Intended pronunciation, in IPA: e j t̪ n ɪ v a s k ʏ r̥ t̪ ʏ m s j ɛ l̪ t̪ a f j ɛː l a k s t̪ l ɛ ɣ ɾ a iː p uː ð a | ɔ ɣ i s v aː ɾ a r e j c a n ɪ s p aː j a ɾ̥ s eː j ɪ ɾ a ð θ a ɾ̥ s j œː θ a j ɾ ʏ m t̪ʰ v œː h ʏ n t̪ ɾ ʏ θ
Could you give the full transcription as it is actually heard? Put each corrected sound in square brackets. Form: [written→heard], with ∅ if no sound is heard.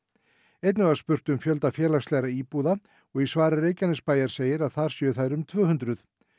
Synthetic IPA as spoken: e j t̪ n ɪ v a s [k→p] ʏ r̥ t̪ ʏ m [s→f] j [ɛ→œ] l̪ t̪ a f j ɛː l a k s t̪ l ɛ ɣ ɾ a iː p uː ð a | ɔ ɣ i s v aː ɾ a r e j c a n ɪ s p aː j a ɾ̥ s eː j ɪ ɾ a ð θ a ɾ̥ s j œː θ a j ɾ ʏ m t̪ʰ v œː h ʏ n t̪ ɾ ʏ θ